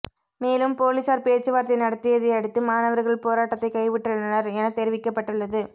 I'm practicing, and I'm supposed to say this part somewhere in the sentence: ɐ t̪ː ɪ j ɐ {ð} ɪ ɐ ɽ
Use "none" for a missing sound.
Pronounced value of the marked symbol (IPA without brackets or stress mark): ð